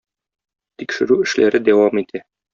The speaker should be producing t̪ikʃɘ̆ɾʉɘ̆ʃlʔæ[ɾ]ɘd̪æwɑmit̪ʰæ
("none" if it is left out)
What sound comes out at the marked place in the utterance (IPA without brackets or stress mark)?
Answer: ɾ